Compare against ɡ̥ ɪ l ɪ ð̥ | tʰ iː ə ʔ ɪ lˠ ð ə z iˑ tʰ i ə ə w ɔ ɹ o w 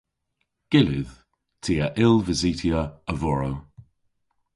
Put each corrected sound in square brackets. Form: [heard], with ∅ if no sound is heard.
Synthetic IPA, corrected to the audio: ɡ̥ ɪ l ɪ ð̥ | tʰ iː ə ʔ ɪ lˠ [v] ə z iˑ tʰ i ə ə [v] ɔ ɹ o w

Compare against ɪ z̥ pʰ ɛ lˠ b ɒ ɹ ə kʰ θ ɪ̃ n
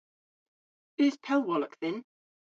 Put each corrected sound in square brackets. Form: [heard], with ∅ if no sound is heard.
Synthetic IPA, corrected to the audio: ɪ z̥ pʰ ɛ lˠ [w] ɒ [l] ə [k] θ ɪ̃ n

